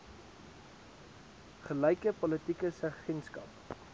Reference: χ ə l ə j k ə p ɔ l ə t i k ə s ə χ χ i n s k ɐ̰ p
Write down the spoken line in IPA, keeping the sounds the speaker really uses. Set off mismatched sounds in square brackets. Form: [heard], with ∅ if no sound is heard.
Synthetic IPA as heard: χ ə l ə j k ə p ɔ l ə t i k ə s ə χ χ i n s k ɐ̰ p